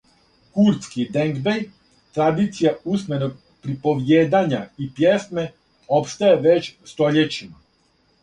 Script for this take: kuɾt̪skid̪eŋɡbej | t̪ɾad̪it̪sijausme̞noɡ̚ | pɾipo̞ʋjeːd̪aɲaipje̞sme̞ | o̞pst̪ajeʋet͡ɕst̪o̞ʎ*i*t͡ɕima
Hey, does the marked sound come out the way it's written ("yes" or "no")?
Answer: no